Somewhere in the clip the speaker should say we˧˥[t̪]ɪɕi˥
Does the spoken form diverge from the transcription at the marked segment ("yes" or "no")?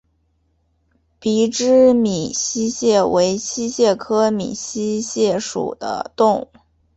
yes